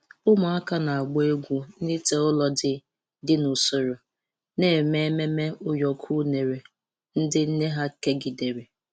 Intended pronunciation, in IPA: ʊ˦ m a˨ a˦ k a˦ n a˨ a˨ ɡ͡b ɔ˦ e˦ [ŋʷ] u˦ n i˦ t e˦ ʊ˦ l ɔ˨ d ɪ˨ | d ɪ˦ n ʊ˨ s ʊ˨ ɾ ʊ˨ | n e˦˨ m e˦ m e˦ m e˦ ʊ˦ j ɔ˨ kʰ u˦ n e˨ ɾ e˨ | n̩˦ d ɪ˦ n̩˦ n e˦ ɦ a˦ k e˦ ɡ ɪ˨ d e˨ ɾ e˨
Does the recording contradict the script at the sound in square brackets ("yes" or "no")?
yes